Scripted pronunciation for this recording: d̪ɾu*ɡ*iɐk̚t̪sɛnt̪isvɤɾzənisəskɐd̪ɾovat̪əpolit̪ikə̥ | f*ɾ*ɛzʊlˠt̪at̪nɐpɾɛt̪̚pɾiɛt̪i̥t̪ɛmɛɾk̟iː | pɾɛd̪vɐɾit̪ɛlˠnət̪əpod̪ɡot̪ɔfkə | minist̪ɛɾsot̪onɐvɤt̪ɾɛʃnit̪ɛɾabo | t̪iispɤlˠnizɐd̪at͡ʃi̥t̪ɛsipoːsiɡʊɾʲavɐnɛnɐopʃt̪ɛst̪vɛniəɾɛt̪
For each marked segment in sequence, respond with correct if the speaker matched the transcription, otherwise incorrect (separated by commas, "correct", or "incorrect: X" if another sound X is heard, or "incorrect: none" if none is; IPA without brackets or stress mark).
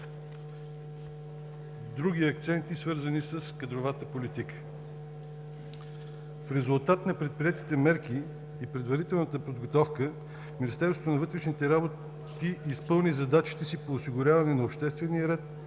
correct, correct